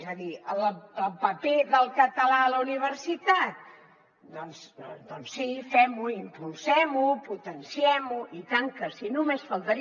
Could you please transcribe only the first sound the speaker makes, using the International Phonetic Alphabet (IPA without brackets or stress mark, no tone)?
z